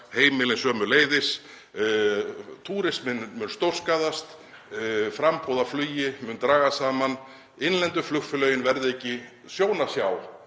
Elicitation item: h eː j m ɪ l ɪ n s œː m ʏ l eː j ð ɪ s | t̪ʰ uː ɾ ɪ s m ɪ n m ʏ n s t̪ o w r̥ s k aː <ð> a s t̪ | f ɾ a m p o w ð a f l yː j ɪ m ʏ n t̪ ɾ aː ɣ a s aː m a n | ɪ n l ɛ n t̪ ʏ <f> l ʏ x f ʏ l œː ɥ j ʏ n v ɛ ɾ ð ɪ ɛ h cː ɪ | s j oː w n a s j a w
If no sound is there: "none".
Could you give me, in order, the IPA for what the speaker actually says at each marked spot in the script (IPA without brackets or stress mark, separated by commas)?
ð, f